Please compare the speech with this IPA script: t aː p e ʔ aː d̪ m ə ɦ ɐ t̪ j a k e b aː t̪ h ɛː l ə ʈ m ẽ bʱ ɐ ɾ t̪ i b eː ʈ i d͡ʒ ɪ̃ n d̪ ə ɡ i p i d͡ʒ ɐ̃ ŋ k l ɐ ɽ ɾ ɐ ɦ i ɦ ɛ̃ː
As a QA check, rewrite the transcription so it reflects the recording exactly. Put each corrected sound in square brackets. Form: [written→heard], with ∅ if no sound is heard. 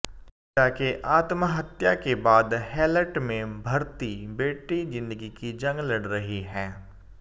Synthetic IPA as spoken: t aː [p→k] e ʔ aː [d̪→t̪] m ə ɦ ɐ t̪ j a k e b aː [t̪→d̪] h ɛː l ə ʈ m ẽ bʱ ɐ ɾ t̪ i b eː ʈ i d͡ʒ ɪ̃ n d̪ ə ɡ i [p→k] i d͡ʒ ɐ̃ ŋ [k→ɡ] l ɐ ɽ ɾ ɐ ɦ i ɦ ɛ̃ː

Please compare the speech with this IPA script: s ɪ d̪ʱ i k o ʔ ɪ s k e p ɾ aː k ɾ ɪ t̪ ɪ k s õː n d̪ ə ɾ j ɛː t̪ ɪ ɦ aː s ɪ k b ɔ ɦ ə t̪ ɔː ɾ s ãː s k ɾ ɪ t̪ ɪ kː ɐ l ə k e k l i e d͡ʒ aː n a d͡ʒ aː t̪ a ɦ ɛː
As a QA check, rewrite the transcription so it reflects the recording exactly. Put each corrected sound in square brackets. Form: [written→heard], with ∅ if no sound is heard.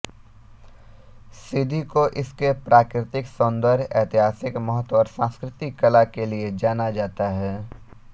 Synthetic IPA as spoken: s ɪ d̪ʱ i k o ʔ ɪ s k e p ɾ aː k ɾ ɪ t̪ ɪ k s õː n d̪ ə ɾ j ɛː t̪ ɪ ɦ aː s ɪ k [b→m] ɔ ɦ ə t̪ ɔː ɾ s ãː s k ɾ ɪ t̪ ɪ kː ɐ l [ə→a] k e [k→∅] l i e d͡ʒ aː n a d͡ʒ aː t̪ a ɦ ɛː

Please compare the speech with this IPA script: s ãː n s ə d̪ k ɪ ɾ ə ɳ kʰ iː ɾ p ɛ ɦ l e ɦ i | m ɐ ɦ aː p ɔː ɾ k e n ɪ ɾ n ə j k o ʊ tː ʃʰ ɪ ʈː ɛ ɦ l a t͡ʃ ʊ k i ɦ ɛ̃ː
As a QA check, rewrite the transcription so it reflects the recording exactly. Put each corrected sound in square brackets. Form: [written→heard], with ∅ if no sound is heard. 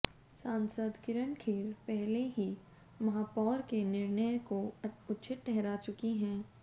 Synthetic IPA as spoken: s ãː n s ə d̪ k ɪ ɾ ə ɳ kʰ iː ɾ p ɛ ɦ l e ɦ i | m ɐ ɦ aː p ɔː ɾ k e n ɪ ɾ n ə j k o ʊ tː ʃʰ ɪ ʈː ɛ ɦ [l→ɾ] a t͡ʃ ʊ k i ɦ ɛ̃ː

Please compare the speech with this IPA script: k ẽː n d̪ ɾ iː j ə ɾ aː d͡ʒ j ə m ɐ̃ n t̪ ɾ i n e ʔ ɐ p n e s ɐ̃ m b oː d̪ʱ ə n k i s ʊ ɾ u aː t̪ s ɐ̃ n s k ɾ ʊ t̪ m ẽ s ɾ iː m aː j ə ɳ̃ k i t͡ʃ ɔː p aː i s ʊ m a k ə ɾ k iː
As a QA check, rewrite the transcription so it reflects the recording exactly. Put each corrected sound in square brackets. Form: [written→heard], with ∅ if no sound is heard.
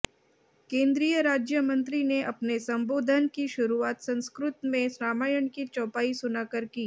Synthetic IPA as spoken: k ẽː n d̪ ɾ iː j ə ɾ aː d͡ʒ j ə m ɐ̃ n t̪ ɾ i n e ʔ ɐ p n e s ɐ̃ m b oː d̪ʱ ə n k i [s→ʃ] ʊ ɾ u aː t̪ s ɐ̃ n s k ɾ ʊ t̪ m ẽ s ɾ [iː→aː] m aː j ə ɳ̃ k i t͡ʃ ɔː p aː i s ʊ [m→n] a k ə ɾ k iː

